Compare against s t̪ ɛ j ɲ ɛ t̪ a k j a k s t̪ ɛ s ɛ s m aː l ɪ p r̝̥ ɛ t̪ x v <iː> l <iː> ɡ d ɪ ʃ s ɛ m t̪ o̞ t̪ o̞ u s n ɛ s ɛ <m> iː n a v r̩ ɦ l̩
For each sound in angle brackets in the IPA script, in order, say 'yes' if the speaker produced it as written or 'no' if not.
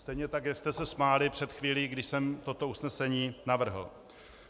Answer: yes, yes, no

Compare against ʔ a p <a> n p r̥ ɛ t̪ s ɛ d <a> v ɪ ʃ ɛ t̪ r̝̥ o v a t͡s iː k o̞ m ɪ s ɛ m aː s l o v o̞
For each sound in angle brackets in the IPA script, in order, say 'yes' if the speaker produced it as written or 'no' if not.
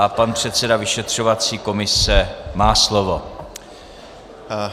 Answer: yes, yes

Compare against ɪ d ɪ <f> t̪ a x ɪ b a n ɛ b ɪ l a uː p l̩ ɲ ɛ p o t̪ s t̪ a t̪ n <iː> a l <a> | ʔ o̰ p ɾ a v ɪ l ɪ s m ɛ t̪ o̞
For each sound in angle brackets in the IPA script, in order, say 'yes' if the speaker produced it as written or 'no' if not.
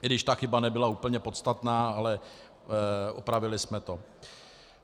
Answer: no, no, no

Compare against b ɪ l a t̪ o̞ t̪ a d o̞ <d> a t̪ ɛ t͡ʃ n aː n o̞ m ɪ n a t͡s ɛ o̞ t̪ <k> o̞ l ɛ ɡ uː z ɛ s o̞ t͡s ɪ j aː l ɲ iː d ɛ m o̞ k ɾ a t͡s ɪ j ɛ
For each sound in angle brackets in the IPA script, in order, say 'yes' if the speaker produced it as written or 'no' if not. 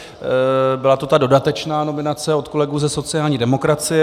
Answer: yes, yes

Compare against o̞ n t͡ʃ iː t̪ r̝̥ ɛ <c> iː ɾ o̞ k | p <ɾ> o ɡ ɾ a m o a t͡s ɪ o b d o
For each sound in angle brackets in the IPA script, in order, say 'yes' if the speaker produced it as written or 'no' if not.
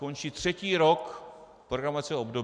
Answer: yes, yes

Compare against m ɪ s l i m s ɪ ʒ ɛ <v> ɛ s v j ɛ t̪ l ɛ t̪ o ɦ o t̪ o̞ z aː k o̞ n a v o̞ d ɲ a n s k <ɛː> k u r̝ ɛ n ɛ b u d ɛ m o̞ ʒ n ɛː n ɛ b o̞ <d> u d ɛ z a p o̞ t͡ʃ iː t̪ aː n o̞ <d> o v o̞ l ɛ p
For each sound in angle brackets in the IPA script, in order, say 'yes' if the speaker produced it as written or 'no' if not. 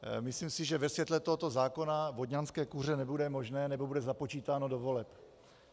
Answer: yes, yes, no, yes

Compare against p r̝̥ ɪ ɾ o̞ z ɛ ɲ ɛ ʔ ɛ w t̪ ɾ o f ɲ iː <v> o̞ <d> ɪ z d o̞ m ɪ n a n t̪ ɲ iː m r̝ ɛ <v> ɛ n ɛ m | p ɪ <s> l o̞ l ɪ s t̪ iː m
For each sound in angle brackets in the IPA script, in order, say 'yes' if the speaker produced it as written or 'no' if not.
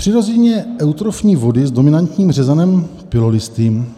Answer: yes, yes, no, no

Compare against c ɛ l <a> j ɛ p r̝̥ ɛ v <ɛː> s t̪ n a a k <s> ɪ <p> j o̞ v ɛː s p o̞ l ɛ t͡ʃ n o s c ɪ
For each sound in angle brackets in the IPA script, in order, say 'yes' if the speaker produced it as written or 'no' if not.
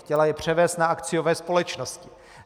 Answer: yes, yes, no, no

